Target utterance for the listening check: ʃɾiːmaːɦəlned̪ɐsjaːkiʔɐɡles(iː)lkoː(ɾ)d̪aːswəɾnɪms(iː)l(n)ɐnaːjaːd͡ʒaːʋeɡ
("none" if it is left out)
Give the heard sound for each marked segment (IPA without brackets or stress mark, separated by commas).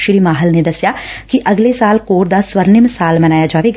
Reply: aː, ɾ, aː, m